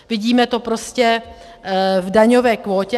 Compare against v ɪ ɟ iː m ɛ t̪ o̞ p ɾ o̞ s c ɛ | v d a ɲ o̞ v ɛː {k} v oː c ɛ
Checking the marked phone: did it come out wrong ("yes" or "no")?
no